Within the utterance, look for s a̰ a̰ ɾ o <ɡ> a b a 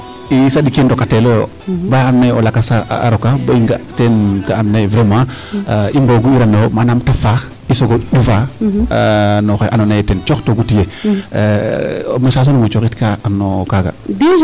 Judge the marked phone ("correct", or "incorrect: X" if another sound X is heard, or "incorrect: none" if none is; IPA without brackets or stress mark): incorrect: k